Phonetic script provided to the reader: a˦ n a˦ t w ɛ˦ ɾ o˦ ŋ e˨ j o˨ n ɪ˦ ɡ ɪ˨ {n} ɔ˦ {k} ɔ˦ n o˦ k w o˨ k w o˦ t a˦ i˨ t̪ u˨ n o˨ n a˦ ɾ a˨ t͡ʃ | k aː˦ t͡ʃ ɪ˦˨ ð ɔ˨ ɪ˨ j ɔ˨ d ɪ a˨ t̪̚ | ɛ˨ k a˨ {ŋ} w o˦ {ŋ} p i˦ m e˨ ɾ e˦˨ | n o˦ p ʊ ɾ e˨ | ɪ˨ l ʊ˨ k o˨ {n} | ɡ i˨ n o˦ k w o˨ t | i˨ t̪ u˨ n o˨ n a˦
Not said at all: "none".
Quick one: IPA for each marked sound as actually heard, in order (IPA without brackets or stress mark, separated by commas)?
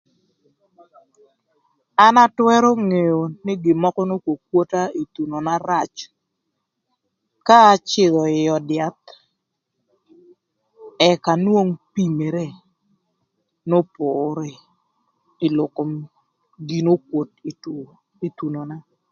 m, k, n, ŋ, m